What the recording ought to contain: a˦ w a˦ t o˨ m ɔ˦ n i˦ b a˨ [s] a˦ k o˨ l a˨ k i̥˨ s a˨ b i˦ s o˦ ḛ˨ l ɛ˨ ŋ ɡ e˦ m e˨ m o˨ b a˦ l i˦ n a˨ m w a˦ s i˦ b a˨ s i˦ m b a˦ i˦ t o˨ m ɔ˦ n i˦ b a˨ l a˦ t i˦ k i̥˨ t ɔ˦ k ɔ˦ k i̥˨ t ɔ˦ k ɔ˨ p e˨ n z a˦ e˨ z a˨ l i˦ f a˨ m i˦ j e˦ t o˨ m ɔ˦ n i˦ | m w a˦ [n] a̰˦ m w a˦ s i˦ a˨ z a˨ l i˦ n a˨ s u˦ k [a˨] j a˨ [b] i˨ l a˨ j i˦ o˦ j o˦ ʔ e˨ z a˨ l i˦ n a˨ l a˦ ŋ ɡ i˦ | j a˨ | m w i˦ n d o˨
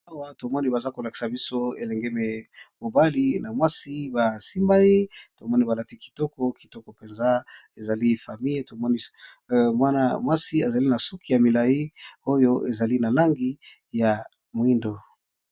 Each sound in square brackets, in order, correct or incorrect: incorrect, correct, incorrect, incorrect

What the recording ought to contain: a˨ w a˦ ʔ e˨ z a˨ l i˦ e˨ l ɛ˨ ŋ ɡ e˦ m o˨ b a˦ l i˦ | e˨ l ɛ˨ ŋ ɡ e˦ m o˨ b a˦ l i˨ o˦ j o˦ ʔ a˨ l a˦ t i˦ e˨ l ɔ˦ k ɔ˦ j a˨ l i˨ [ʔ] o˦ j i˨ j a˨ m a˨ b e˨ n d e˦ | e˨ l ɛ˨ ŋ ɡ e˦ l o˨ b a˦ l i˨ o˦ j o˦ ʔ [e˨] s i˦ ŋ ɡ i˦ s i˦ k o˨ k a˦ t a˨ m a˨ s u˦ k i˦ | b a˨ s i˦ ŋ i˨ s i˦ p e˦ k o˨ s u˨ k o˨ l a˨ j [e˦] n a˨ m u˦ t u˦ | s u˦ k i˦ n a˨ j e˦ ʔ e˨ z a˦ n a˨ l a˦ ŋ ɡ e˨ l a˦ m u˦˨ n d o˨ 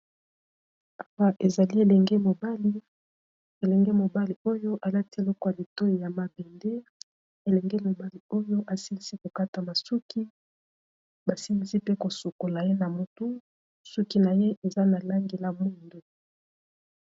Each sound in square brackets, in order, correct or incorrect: incorrect, incorrect, correct

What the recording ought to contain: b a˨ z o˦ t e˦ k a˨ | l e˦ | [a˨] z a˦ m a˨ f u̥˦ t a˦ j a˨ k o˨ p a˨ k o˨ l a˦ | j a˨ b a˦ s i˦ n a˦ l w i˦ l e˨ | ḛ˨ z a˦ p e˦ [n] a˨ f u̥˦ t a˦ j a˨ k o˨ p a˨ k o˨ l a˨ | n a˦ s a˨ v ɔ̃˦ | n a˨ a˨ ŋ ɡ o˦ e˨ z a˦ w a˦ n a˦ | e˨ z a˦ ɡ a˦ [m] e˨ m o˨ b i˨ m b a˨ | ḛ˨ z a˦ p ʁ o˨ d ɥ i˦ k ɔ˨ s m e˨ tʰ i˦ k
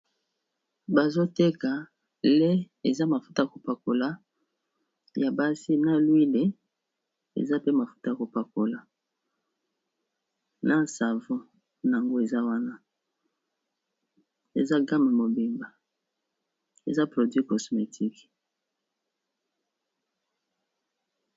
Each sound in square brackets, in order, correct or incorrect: incorrect, incorrect, correct

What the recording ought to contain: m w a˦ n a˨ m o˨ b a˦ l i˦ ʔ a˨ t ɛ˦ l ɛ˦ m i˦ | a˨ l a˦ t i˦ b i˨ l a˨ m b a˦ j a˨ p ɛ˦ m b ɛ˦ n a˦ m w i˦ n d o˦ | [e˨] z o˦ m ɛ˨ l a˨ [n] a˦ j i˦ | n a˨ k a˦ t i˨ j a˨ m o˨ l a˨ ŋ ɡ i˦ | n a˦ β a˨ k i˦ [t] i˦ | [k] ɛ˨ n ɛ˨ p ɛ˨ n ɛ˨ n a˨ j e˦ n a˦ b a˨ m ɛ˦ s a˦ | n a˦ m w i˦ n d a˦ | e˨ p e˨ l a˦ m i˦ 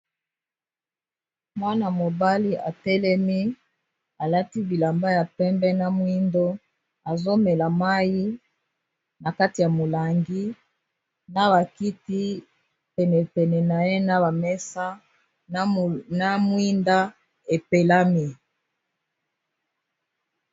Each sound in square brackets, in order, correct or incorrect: incorrect, incorrect, correct, incorrect

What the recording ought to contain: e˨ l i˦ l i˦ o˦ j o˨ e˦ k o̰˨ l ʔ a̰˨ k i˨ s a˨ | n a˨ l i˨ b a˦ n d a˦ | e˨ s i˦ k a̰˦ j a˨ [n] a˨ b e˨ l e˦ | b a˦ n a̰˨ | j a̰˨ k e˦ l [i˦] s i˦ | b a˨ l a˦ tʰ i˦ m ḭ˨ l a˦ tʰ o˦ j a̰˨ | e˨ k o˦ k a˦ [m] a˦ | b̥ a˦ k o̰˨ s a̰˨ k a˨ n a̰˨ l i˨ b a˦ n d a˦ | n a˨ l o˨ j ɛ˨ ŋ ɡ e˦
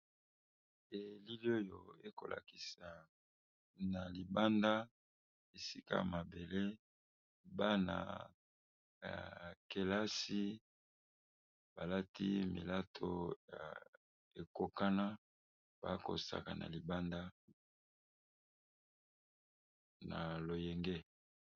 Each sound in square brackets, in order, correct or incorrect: incorrect, incorrect, incorrect

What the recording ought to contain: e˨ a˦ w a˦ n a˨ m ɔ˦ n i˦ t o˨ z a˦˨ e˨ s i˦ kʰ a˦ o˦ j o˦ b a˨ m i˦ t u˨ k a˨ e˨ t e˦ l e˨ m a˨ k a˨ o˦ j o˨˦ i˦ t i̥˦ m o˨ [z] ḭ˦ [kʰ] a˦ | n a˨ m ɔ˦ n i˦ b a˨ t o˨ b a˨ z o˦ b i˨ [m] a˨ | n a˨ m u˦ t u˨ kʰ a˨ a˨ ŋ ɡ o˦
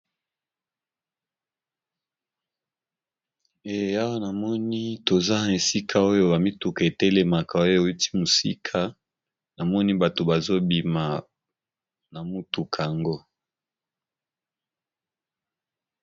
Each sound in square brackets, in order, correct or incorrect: incorrect, correct, correct

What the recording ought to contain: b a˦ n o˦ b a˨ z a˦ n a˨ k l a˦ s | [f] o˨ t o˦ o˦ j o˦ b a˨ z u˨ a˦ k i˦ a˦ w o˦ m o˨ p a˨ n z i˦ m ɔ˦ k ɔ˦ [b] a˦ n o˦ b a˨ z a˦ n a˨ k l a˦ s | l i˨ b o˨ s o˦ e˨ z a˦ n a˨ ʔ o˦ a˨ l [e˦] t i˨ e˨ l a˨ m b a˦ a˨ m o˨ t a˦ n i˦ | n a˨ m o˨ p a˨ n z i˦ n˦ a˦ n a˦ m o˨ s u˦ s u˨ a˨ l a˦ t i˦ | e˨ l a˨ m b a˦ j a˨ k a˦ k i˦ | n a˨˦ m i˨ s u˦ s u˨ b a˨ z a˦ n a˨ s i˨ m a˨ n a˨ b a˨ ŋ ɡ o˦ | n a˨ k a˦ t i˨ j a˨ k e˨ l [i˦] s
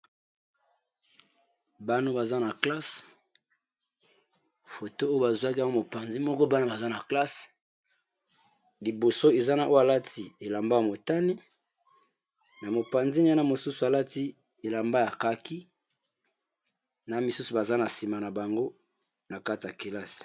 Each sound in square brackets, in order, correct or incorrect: correct, correct, incorrect, incorrect

